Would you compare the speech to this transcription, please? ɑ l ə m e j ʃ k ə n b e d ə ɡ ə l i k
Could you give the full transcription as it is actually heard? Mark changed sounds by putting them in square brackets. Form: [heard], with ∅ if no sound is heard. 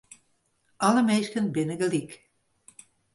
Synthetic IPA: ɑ l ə m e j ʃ k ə n b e [n] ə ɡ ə l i k